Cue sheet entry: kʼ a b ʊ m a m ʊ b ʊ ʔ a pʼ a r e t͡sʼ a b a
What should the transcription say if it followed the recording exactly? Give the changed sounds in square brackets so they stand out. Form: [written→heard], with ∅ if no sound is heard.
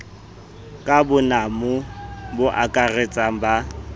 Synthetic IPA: kʼ a b ʊ [m→n] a m ʊ b ʊ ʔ a [pʼ→kʼ] a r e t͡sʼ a b a